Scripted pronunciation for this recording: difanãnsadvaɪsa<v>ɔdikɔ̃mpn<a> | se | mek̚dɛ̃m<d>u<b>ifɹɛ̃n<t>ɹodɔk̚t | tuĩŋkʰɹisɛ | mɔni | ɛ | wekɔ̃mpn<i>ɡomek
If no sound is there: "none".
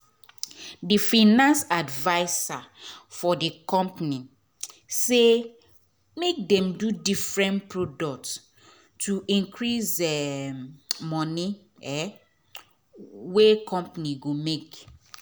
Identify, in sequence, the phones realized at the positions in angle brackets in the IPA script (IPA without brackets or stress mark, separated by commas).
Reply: f, i, d, d, p, i